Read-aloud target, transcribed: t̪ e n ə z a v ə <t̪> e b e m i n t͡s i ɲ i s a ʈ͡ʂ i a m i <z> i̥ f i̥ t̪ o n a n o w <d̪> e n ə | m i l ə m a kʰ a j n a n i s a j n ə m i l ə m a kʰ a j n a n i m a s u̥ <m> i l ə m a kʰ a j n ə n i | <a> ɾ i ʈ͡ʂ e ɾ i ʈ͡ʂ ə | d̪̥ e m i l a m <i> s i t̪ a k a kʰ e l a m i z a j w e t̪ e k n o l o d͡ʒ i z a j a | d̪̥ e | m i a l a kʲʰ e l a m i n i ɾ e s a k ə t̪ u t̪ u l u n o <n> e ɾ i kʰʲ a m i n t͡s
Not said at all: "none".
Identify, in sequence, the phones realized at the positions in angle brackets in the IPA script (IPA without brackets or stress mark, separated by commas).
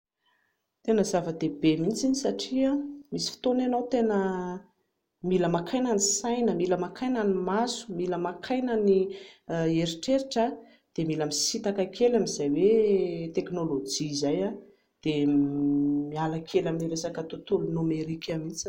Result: d̪, s, t̪, m, e, i, m